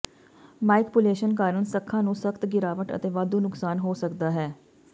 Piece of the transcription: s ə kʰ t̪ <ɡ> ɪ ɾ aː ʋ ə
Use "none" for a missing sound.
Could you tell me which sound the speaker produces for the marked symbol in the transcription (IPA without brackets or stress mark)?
ɡ